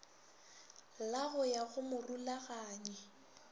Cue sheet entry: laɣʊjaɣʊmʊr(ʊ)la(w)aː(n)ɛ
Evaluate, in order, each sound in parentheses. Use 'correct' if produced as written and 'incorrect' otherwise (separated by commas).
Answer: incorrect, incorrect, incorrect